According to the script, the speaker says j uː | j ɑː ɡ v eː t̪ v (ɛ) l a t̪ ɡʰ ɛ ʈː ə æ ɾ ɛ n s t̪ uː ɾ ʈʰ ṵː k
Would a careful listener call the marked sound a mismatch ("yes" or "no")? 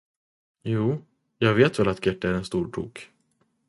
no